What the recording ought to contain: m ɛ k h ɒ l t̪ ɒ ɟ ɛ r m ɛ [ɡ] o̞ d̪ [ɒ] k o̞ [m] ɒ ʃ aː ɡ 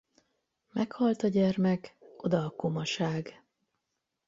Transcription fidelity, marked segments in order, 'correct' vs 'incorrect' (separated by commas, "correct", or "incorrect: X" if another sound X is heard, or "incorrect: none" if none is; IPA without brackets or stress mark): incorrect: k, incorrect: ɒː, correct